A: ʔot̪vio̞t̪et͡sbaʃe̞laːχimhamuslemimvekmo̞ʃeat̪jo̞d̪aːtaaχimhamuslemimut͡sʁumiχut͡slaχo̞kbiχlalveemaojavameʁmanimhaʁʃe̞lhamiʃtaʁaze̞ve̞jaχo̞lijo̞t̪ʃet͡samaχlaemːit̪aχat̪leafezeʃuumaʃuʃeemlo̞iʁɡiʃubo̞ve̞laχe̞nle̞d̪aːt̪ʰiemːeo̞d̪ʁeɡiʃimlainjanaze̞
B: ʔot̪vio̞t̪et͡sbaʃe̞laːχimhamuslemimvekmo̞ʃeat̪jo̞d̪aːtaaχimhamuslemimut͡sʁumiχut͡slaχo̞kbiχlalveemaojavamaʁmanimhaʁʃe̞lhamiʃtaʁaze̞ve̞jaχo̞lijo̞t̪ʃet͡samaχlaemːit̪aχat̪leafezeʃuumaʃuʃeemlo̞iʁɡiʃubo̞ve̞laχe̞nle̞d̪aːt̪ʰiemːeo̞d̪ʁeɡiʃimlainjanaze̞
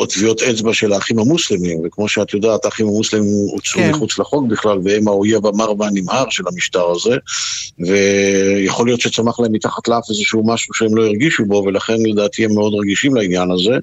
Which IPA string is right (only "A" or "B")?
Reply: B